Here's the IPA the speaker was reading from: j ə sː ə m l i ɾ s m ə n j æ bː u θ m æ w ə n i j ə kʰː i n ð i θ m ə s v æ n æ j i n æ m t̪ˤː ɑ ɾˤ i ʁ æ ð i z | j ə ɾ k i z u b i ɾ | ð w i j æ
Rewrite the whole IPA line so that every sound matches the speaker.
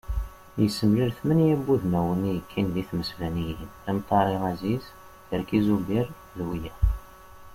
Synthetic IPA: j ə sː ə m l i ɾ θ m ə n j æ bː u ð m æ w ə n i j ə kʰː i n ð i θ m ə s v æ n i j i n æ m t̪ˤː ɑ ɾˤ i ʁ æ z i z | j ə ɾ k i z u b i ɾ | ð w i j æ

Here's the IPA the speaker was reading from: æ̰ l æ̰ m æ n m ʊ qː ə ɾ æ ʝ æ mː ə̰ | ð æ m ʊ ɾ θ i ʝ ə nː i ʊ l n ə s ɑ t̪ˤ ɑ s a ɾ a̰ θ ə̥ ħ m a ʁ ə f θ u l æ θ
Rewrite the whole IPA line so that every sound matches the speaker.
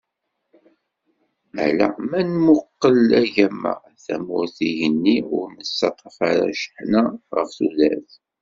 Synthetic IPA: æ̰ l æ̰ m æ n m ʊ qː ə l æ ʝ æ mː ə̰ | θ æ m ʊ ɾ θ i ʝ ə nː i ʊ ɾ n ə s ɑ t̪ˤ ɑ f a ɾ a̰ ʃ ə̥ ħ n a ʁ ə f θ u l æ θ

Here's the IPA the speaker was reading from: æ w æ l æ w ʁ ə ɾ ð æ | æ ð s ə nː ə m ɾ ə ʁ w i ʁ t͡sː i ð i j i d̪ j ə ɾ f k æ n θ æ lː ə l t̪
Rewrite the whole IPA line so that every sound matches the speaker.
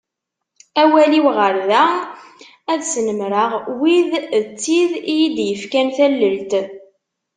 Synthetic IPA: æ w æ l i w ʁ ə ɾ ð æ | æ ð s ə n ə m ɾ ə ʁ w i ð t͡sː i ð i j i d̪ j ə f k æ n θ æ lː ə l t̪

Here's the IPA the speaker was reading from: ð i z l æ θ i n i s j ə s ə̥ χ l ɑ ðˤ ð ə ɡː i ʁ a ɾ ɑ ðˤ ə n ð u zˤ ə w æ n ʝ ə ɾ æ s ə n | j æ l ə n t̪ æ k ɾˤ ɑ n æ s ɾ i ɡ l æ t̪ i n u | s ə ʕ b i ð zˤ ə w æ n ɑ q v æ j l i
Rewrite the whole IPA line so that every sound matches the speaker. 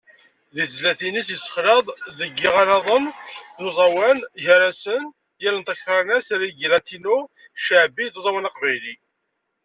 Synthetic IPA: ð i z l æ θ i n i s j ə s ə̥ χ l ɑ ðˤ ð ə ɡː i ʁ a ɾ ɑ ðˤ ə n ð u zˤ ɑ w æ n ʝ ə ɾ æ s ə n | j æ l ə n t̪ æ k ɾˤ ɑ n æ s ɾ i ɡ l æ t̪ i n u | ʃ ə ʕ b i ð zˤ ɑ w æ n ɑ q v æ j l i

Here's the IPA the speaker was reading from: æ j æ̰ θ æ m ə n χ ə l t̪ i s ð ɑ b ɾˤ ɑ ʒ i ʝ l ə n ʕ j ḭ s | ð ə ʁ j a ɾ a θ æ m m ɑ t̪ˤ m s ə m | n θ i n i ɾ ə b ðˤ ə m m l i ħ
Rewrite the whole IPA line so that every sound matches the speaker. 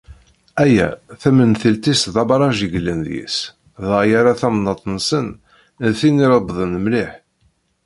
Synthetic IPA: æ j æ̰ θ æ m ə n θ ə l t̪ i s ð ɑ b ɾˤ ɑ ʒ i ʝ l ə n ð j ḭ s | ð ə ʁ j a ɾ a θ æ m n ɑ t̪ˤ n s ə n | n θ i n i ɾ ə b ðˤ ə n m l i ħ

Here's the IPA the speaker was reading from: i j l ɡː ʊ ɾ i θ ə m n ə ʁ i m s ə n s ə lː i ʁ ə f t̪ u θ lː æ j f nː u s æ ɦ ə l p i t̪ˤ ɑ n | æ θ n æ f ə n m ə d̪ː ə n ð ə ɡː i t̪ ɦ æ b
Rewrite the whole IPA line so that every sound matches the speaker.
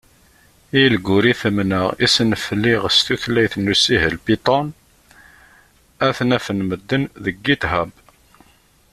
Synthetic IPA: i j l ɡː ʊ ɾ i θ ə m n ə ʁ i s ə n f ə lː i ʁ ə s t̪ u θ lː æ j θ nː u s i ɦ ə l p i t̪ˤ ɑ n | æ θ n æ f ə n m ə d̪ː ə n ð ə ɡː i t̪ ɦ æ b

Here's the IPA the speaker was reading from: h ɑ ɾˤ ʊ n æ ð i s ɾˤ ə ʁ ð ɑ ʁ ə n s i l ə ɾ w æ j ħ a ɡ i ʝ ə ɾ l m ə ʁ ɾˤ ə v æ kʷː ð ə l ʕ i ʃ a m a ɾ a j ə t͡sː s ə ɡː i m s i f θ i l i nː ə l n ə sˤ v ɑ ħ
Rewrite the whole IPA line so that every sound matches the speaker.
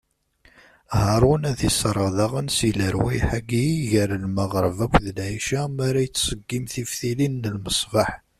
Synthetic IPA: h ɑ ɾˤ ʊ n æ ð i s ɾˤ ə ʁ ð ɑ ʁ ə n s i l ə ɾ w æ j ħ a ɡ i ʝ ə ɾ l m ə ʁ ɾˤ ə v æ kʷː ð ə l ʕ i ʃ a m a ɾ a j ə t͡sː s ə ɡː i m θ i f θ i l i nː ə l m ə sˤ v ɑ ħ

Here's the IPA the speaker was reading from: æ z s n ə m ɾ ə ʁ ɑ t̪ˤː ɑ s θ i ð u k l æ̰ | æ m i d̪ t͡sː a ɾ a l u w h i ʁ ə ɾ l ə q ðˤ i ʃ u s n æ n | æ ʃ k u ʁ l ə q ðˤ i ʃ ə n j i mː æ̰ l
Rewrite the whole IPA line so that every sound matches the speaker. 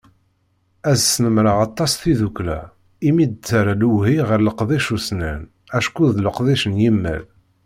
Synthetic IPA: æ z s n ə m ɾ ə ʁ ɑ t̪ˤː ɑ s θ i ð u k l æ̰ | i m i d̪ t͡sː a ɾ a l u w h i ʁ ə ɾ l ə q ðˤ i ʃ u s n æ n | æ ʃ k u ð l ə q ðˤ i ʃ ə n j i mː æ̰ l

